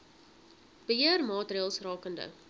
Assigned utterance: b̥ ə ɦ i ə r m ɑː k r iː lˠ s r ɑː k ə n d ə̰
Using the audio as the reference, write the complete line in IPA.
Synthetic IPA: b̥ ə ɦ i ə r m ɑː t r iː lˠ s r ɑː k ə n d ə̰